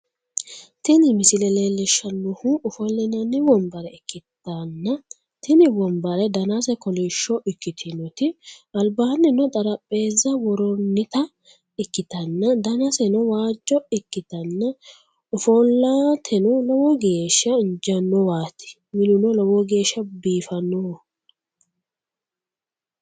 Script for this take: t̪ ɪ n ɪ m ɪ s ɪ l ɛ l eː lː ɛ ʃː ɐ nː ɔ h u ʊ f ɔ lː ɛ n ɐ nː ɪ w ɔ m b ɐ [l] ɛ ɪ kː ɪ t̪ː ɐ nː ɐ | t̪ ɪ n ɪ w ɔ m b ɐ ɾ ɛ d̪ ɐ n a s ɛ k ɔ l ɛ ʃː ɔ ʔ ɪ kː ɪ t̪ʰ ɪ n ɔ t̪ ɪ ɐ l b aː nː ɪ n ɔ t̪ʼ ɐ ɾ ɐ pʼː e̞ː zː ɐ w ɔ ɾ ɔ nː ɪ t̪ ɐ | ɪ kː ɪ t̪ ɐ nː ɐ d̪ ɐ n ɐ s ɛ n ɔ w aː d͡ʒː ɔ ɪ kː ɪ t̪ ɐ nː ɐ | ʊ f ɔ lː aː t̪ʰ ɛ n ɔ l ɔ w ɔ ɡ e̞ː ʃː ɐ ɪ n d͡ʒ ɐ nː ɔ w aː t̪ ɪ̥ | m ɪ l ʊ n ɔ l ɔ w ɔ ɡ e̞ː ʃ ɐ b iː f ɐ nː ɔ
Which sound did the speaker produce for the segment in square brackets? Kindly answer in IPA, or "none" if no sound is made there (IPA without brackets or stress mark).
ɾ